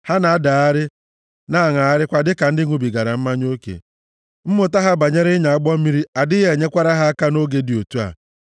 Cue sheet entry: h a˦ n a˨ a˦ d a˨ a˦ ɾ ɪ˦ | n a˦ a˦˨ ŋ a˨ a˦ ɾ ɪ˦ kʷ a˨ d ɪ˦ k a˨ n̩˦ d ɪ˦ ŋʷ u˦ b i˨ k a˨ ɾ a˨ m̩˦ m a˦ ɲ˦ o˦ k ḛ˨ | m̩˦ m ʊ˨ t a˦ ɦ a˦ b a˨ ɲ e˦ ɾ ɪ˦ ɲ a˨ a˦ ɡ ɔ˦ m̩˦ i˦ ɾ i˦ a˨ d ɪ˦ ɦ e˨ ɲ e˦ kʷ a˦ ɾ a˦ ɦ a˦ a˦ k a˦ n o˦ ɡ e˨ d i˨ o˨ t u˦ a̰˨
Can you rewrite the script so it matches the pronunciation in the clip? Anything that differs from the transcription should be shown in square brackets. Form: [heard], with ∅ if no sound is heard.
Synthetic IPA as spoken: h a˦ n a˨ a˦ d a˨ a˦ ɾ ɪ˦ | n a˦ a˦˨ ŋ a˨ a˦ ɾ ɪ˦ kʷ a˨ d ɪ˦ k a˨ n̩˦ d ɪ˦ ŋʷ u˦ b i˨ [ɡ] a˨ ɾ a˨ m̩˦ m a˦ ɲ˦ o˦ k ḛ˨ | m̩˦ m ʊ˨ t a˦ ɦ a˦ b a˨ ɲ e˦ ɾ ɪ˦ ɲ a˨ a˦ [ɡ͡b] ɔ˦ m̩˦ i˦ ɾ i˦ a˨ d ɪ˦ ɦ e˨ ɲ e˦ kʷ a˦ ɾ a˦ ɦ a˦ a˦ k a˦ n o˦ ɡ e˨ d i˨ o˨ t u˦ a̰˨